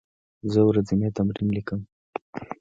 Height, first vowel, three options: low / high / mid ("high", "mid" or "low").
mid